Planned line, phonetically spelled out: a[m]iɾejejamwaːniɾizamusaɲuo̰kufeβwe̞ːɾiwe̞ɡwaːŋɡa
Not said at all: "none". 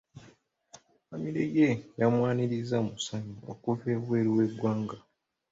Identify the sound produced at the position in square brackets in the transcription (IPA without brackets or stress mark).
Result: m